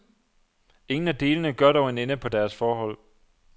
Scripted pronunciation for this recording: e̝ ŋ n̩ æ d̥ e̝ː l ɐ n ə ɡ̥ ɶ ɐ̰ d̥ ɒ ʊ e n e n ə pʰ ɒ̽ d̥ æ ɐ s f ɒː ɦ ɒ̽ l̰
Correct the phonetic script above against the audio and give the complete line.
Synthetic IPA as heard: e̝ ŋ n̩ æ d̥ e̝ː l ə n ə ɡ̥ ɶ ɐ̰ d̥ ɒ ʊ e n e n ə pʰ ɒ̽ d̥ æ ɐ s f ɒː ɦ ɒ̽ l̰